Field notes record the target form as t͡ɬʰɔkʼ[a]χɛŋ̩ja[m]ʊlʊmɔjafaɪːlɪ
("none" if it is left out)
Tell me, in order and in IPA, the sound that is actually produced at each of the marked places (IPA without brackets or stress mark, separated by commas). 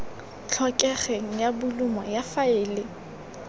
ɛ, b